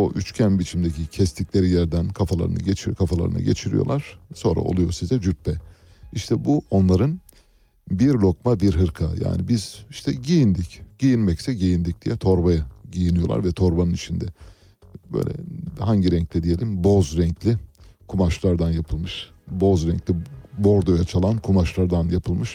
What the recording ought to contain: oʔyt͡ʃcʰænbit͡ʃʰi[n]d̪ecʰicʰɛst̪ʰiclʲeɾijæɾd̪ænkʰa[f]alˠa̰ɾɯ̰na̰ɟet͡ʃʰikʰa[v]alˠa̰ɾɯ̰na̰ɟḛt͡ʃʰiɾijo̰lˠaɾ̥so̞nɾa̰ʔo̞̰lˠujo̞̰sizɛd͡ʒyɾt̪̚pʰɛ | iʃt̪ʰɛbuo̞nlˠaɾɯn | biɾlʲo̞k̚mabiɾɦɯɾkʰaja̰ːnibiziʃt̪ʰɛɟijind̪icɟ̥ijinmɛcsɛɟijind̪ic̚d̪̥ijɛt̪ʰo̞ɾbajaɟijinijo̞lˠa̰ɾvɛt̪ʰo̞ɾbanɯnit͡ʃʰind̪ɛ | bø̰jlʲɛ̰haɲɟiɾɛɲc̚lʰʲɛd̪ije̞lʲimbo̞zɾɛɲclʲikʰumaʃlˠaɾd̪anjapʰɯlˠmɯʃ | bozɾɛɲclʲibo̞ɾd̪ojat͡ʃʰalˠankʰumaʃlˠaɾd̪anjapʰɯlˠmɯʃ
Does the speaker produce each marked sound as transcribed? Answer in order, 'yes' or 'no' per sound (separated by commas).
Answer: no, yes, no